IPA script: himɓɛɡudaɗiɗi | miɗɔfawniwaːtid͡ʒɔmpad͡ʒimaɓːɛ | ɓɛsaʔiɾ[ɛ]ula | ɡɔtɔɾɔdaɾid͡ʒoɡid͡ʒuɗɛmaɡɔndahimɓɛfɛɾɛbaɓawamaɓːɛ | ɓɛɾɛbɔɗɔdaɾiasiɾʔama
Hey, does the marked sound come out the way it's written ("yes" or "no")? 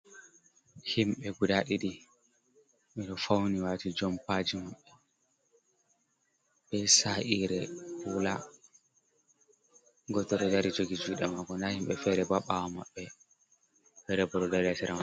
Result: yes